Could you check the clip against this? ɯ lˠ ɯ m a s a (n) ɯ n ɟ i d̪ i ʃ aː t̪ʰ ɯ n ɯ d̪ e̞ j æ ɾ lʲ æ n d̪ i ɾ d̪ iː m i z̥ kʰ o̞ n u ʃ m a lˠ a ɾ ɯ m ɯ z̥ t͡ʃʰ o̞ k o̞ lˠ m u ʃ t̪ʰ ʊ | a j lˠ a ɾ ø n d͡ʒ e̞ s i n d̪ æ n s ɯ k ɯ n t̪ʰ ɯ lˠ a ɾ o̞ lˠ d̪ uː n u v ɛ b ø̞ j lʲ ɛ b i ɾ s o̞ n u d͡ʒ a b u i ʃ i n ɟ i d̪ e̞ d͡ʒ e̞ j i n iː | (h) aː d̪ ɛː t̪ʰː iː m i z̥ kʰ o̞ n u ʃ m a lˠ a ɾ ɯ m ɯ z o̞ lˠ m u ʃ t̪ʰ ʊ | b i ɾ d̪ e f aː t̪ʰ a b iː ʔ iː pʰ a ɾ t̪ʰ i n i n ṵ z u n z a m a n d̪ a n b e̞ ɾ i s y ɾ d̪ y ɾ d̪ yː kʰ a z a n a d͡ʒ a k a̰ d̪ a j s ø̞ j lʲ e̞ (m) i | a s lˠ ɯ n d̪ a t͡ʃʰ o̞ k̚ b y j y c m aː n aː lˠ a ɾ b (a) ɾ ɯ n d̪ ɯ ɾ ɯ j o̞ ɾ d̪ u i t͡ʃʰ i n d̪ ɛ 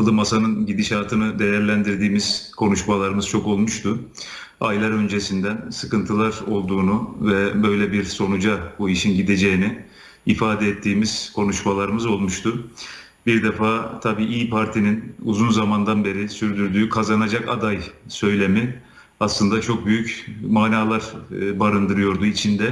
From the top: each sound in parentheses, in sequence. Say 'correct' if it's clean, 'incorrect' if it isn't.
correct, incorrect, correct, correct

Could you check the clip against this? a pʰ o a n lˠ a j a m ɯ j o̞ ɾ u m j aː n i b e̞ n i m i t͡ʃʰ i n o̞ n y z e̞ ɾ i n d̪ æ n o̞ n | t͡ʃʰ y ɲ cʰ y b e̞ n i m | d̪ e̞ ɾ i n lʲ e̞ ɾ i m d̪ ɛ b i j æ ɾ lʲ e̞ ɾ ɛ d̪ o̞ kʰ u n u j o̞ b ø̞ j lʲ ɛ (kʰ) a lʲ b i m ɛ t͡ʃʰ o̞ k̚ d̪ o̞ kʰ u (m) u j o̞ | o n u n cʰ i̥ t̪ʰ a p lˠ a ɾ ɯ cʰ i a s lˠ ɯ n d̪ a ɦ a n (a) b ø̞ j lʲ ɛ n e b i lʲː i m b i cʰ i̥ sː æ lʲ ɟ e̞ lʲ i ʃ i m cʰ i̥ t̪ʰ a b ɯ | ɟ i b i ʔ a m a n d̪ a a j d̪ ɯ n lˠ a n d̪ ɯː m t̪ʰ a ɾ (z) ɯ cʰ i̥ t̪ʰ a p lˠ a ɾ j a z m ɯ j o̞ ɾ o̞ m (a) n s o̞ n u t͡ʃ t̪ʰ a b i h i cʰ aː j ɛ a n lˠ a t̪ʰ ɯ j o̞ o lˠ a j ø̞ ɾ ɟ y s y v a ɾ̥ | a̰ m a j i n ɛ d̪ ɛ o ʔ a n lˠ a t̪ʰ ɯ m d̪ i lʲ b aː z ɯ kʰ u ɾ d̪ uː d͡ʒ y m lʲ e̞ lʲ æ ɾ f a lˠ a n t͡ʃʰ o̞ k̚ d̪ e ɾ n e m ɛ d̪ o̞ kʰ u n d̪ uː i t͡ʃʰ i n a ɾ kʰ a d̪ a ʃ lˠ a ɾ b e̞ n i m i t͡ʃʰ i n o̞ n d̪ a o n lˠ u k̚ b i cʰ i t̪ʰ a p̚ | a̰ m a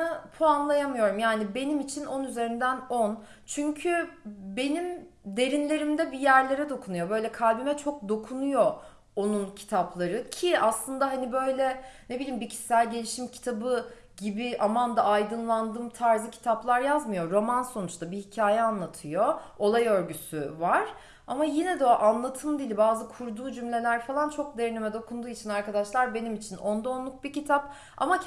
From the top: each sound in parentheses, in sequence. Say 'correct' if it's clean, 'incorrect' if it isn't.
correct, incorrect, incorrect, correct, correct

